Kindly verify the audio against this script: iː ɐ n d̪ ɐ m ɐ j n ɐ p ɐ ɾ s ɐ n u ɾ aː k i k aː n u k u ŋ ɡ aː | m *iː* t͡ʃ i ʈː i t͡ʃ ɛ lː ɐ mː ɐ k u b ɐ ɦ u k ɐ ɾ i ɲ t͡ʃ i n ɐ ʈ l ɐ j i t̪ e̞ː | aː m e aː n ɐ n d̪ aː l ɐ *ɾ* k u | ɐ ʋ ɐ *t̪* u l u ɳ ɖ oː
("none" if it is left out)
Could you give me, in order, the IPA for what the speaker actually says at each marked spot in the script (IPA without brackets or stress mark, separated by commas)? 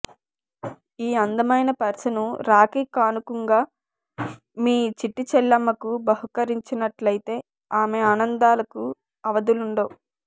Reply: iː, none, d̪